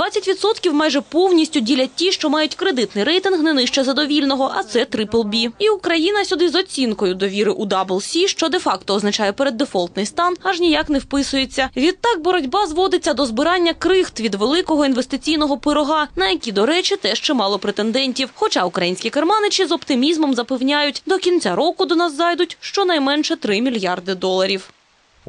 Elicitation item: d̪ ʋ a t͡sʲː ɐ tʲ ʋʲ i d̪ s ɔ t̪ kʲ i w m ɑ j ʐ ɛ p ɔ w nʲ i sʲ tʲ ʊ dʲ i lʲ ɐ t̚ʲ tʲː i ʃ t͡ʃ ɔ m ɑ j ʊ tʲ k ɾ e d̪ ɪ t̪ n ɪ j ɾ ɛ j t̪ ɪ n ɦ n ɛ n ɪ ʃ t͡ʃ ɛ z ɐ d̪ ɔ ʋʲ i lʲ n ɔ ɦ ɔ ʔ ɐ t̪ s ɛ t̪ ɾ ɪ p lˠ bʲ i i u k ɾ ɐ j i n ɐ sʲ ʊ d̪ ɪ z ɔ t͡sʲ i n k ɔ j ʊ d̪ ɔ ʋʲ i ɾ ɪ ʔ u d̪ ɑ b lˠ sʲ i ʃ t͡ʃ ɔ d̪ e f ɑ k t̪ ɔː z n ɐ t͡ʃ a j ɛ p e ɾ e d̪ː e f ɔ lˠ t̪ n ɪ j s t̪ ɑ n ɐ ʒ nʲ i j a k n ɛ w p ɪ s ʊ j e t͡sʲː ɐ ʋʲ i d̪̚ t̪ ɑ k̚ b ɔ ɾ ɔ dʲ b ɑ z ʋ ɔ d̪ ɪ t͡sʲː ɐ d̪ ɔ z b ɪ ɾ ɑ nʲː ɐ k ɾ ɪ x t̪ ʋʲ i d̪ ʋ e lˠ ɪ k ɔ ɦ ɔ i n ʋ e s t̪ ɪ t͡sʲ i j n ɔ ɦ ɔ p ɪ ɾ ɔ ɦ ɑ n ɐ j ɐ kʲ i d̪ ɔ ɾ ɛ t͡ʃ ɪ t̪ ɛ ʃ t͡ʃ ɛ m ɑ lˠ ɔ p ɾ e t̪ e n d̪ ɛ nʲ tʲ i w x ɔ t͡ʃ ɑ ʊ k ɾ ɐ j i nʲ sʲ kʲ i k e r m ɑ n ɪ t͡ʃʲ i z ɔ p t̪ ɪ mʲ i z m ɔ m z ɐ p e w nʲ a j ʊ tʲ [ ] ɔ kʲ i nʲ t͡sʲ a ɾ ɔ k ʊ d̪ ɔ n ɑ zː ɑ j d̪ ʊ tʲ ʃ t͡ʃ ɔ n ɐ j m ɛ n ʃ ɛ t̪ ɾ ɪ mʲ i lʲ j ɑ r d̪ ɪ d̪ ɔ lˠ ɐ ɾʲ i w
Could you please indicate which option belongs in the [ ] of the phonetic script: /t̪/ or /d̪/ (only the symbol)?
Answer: d̪